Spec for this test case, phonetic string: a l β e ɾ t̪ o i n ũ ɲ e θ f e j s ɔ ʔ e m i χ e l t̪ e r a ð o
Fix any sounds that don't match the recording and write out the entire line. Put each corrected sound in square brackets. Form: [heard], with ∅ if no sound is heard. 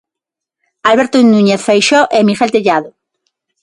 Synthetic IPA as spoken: a l β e ɾ t̪ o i n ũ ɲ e θ f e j [ʃ] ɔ ʔ e m i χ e l t̪ e [ʎ] a ð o